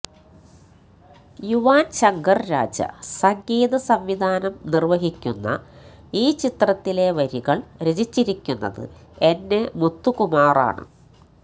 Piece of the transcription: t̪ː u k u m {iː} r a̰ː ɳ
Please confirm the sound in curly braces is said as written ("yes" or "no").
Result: no